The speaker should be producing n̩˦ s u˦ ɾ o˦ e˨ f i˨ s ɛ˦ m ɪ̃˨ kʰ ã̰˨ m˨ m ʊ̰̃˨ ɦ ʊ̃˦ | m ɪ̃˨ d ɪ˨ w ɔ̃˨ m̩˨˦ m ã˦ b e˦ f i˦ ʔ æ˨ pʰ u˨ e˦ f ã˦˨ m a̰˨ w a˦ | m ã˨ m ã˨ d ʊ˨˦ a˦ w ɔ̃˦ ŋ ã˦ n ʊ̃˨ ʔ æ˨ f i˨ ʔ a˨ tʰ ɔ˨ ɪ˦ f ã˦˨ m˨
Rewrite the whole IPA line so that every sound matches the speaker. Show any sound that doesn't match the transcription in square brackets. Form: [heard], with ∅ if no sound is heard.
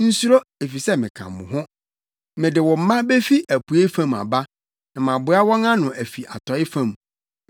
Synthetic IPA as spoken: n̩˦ s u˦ ɾ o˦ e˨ f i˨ s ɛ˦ m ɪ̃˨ kʰ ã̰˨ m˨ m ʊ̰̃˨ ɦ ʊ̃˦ | m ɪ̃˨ d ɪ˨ w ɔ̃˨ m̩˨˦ m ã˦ b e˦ f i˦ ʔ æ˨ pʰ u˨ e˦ f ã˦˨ m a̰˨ [b] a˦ | [n] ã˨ m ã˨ [b] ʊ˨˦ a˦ w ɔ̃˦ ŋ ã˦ n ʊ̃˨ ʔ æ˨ f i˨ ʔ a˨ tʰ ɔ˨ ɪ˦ f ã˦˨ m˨

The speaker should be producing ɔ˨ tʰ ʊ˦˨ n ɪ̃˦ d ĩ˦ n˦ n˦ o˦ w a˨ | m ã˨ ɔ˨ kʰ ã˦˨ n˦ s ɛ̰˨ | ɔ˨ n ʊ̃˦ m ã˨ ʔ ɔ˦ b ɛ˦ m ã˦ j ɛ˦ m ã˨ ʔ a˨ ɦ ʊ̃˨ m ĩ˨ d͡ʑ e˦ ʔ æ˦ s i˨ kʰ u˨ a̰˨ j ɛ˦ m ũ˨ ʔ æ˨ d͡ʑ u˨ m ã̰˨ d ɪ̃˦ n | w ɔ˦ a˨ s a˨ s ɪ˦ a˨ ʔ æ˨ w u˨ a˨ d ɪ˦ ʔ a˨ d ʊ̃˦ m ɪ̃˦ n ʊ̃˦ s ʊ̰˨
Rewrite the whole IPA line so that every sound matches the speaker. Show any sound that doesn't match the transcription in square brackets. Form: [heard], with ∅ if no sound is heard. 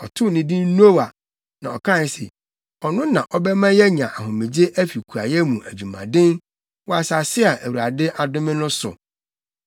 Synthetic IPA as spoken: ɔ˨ tʰ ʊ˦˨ n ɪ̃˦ d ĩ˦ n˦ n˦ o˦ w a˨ | [n] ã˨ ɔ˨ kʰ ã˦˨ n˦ s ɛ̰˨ | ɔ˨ n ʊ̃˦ [n] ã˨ ʔ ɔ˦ b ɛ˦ m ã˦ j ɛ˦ [ɲ] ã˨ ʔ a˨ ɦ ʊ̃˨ m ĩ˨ d͡ʑ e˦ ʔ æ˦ [f] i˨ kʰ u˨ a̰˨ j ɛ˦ m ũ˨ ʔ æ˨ d͡ʑ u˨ m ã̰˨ d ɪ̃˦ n | w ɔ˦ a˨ s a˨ s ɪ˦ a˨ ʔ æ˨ w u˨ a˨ d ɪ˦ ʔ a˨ d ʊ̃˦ m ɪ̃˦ n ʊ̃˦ s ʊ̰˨

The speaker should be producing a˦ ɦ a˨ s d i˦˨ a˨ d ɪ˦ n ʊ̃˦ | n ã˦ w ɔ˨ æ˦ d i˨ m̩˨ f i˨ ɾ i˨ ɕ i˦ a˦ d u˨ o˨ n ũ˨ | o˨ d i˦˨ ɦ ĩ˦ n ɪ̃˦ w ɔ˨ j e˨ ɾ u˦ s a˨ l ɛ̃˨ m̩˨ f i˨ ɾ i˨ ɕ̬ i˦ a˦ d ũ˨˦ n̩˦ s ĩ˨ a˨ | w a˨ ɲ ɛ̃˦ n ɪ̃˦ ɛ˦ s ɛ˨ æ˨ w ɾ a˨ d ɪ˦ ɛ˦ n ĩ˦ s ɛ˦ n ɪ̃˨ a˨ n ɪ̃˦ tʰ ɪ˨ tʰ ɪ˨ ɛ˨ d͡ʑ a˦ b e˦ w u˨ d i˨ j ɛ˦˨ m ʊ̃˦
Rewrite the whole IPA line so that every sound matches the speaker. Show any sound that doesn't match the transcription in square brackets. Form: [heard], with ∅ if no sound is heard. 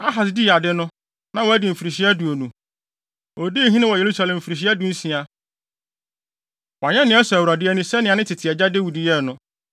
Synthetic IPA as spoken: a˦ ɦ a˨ s d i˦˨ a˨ d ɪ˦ n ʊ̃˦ | n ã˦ w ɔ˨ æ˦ d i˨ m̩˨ f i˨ ɾ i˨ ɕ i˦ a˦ d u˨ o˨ n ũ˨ | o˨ d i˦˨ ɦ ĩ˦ n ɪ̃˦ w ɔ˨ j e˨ ɾ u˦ s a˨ l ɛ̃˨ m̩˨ f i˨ ɾ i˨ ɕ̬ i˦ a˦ d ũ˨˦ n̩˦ s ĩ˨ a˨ | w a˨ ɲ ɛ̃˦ n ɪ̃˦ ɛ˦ s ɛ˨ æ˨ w ɾ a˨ d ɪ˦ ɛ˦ n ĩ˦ s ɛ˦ n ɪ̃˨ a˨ n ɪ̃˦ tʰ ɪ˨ tʰ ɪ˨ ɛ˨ d͡ʑ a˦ [d] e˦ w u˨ d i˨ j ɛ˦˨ [n] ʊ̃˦

